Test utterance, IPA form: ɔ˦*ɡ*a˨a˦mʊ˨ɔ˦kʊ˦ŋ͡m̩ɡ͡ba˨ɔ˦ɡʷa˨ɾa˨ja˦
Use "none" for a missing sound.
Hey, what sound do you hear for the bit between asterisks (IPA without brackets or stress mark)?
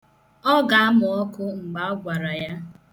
ɡ